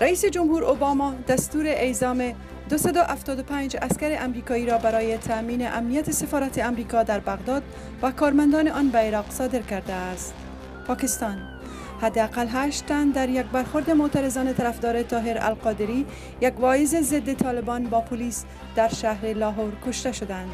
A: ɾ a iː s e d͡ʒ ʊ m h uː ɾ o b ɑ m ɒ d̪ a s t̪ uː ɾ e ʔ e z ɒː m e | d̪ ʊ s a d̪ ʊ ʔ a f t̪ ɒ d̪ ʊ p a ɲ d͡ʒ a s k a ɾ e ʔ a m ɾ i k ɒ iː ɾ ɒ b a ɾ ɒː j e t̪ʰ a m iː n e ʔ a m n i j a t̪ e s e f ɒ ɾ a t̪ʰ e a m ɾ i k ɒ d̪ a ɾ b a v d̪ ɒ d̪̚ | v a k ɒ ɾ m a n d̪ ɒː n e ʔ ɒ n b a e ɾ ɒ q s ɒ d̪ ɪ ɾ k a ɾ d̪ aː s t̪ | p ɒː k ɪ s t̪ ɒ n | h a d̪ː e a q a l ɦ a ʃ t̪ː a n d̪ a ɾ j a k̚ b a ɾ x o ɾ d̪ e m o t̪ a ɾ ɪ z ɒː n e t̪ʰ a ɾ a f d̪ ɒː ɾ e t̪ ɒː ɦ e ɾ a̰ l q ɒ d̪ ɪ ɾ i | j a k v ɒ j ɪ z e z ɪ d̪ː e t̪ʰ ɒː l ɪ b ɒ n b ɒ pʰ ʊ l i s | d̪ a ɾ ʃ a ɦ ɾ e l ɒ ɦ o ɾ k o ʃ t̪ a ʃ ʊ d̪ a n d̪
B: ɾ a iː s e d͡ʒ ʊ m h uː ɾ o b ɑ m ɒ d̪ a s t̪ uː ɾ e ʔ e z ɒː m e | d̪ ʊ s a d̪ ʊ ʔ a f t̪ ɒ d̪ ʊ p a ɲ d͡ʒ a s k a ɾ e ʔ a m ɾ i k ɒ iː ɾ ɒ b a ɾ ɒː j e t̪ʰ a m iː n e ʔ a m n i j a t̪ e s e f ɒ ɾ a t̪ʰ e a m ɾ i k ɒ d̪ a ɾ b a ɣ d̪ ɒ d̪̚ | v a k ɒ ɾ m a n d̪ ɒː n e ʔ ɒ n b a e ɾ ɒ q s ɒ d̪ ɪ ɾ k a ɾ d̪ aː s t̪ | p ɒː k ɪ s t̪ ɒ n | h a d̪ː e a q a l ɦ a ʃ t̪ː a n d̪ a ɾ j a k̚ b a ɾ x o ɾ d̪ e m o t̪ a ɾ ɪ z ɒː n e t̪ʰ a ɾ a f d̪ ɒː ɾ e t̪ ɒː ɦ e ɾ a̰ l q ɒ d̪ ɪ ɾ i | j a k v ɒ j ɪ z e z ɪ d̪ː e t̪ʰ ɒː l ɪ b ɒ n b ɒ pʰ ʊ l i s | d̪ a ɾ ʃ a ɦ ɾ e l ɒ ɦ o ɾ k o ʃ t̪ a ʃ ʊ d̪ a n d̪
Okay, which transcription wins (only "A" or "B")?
B